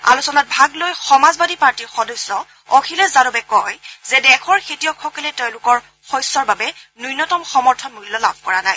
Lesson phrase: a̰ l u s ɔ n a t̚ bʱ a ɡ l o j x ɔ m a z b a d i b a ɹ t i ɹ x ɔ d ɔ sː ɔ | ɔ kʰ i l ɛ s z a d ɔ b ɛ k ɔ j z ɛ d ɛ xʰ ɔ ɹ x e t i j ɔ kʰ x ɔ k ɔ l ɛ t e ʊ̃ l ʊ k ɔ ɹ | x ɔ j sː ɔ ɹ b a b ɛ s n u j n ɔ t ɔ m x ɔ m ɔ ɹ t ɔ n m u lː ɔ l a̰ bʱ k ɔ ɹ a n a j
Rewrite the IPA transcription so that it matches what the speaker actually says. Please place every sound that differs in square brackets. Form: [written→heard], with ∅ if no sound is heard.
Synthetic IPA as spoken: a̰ l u s ɔ n a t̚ bʱ a ɡ l o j x ɔ m a z b a d i [b→p] a ɹ t i ɹ x ɔ d ɔ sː ɔ | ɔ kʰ i l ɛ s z a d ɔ b ɛ k ɔ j z ɛ d ɛ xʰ ɔ ɹ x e t i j ɔ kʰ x ɔ k ɔ l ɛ t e ʊ̃ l ʊ k ɔ ɹ | x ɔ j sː ɔ ɹ b a b ɛ [s→∅] n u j n ɔ t ɔ m x ɔ m ɔ ɹ [t→tʰ] ɔ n m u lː ɔ l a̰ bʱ k ɔ ɹ a n a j

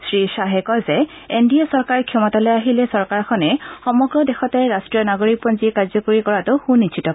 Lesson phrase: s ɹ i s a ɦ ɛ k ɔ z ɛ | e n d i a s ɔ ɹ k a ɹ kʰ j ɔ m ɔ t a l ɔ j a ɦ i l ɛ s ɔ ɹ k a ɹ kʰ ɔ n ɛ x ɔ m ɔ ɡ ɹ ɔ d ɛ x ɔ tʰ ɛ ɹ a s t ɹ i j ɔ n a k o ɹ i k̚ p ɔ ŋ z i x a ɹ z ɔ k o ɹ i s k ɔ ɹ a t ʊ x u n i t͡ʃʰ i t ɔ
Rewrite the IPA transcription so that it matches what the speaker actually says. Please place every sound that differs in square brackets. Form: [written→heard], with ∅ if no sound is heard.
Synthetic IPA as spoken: s ɹ i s a ɦ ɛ k ɔ z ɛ | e n d i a s ɔ ɹ k a ɹ kʰ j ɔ m ɔ t a l ɔ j a ɦ i l ɛ s ɔ ɹ k a ɹ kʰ ɔ n ɛ x ɔ m ɔ ɡ ɹ ɔ d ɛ x ɔ [tʰ→t] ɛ ɹ a s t ɹ i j ɔ n a [k→ɡ] o ɹ i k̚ p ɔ [ŋ→n] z i [x→k] a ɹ z ɔ k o ɹ i [s→∅] k ɔ ɹ a t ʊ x u n i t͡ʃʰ i t ɔ

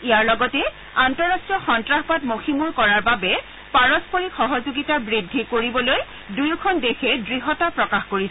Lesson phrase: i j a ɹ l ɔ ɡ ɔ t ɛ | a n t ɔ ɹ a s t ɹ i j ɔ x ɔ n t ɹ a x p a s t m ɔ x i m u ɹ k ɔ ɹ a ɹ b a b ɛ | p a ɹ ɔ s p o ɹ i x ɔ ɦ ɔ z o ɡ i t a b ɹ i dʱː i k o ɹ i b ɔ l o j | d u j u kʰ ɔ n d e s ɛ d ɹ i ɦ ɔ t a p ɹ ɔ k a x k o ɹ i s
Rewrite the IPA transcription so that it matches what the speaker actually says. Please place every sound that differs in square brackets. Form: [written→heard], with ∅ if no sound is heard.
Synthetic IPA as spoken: i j a ɹ l ɔ ɡ ɔ t ɛ | a n t ɔ ɹ a s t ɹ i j ɔ x ɔ n t ɹ a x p a [s→∅] t m [ɔ→o] x i m u ɹ k ɔ ɹ a ɹ b a b ɛ | p a ɹ ɔ s p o ɹ i x ɔ ɦ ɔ z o ɡ i t a b ɹ i dʱː i k o ɹ i b ɔ l o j | d u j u kʰ ɔ n d e [s→x] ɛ d ɹ i ɦ ɔ t a p ɹ ɔ k a x k o ɹ i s

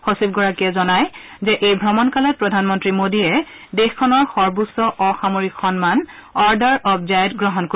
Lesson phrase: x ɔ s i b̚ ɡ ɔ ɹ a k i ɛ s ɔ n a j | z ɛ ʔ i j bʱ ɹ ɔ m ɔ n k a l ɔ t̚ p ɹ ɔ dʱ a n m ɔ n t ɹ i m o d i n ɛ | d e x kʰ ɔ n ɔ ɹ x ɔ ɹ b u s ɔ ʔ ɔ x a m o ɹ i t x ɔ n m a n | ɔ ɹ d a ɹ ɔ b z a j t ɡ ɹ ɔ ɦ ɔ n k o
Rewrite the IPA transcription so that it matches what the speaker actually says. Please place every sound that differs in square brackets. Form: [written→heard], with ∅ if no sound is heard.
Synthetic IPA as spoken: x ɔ s i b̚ ɡ ɔ ɹ a k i ɛ [s→z] ɔ n a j | z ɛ ʔ [i→e] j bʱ ɹ ɔ m ɔ n k a l ɔ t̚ p ɹ ɔ dʱ a n m ɔ n t ɹ i m o d i [n→∅] ɛ | d e x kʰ ɔ n ɔ ɹ x ɔ ɹ b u s ɔ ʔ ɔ x a m o ɹ i [t→k] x ɔ n m a n | ɔ ɹ d a ɹ ɔ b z a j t ɡ ɹ ɔ ɦ ɔ n k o

